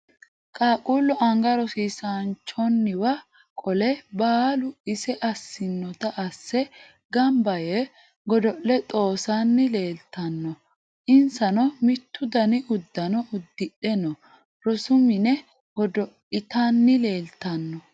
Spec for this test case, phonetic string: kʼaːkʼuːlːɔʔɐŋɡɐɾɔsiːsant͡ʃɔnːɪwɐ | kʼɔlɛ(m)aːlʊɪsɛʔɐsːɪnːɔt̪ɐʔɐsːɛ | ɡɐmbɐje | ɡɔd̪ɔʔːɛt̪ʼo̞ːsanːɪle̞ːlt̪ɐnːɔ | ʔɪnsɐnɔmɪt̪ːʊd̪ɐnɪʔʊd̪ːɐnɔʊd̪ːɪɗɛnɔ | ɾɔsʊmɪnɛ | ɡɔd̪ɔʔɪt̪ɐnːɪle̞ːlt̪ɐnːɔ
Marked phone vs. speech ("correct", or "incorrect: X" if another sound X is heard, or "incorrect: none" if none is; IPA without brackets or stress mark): incorrect: b